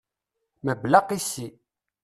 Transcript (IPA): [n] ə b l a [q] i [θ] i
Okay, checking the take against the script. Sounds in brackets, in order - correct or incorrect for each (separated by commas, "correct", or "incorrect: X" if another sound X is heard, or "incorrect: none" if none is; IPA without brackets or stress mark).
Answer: incorrect: m, correct, incorrect: s